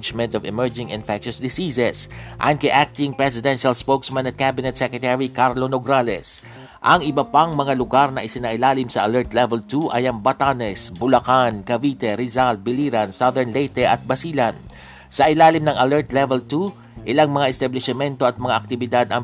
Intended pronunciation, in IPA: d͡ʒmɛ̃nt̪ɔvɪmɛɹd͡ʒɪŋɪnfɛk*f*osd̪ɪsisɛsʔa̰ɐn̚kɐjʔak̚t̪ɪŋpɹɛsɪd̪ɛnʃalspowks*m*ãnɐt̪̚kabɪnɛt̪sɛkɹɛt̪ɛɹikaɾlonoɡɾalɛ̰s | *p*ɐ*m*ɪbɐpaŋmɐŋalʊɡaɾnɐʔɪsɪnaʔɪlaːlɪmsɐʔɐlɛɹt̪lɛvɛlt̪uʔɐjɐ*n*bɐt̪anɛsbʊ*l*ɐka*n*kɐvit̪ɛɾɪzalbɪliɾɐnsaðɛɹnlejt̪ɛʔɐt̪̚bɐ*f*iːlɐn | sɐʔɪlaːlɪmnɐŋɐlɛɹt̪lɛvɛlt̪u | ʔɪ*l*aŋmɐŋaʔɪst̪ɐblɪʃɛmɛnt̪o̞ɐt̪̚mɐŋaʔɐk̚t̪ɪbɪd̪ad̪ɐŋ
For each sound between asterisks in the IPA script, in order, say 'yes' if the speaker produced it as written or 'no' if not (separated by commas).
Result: no, yes, no, no, no, yes, yes, no, yes